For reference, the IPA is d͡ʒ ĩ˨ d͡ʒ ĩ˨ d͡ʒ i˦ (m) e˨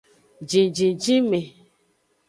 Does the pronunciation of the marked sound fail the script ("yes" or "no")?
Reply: no